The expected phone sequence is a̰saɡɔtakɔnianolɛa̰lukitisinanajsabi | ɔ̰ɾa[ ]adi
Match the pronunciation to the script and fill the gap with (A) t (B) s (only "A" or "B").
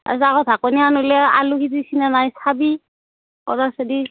B